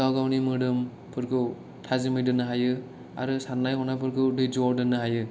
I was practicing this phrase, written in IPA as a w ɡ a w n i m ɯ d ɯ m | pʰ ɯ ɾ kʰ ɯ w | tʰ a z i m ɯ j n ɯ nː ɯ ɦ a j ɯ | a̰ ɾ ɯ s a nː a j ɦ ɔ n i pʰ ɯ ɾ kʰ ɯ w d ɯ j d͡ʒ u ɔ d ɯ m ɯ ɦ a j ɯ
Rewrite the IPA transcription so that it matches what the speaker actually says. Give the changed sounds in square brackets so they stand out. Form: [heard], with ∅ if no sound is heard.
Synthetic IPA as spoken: a w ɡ a w n i m ɯ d ɯ m | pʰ ɯ ɾ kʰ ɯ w | tʰ a z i m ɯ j [d] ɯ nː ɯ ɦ a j ɯ | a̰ ɾ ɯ s a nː a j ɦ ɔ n [a] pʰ ɯ ɾ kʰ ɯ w d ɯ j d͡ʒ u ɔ d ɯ [n] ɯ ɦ a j ɯ